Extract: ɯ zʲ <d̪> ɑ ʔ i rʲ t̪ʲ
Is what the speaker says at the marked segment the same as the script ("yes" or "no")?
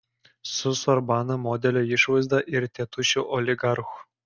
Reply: yes